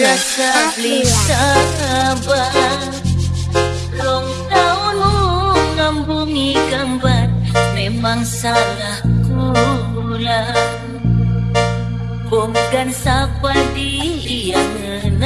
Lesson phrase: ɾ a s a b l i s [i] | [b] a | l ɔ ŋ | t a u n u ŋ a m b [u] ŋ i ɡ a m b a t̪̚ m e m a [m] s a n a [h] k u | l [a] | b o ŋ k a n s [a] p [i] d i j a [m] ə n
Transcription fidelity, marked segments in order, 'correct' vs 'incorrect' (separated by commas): incorrect, correct, correct, incorrect, correct, correct, correct, incorrect, incorrect